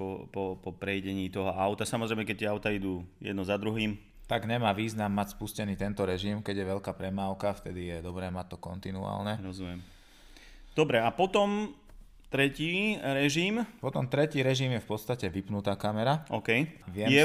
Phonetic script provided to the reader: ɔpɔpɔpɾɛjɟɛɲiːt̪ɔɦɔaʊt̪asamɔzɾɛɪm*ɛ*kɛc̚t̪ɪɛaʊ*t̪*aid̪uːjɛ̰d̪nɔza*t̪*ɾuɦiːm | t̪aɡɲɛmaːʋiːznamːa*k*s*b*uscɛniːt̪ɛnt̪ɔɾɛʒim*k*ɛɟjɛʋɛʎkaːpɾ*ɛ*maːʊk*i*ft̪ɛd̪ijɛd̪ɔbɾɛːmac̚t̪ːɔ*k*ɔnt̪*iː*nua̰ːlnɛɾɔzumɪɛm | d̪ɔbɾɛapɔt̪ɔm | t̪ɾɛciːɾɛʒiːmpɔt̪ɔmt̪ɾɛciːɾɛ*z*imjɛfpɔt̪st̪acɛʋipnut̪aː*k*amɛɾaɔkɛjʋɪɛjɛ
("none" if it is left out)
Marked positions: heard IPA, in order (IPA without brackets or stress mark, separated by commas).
ɛ, t̪, d̪, c, p, k, ɛ, a, k, i, ʒ, k